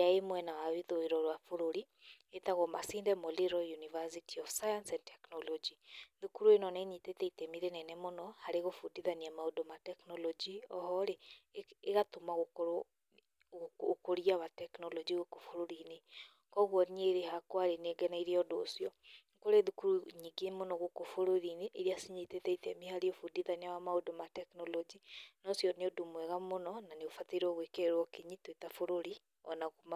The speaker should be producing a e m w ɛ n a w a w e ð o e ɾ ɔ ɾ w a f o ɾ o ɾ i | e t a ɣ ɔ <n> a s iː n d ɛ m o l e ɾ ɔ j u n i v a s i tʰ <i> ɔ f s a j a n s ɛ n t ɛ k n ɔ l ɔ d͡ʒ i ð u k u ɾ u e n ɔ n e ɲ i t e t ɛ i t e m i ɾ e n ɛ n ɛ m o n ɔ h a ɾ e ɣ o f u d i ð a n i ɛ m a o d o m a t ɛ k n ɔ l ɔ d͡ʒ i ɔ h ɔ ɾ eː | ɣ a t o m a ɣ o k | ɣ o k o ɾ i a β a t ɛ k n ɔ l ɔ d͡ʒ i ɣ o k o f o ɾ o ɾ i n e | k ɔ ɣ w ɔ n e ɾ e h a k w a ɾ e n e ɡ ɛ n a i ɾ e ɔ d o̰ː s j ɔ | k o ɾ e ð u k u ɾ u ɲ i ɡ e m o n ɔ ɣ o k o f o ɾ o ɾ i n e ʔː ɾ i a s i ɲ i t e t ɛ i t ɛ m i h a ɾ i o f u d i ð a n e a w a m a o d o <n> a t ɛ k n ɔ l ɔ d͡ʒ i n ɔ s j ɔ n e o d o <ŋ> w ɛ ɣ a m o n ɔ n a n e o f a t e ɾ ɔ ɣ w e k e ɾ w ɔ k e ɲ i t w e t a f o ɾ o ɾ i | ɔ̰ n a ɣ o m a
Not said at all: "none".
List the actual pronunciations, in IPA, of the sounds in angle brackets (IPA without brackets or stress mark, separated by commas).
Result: m, i, m, m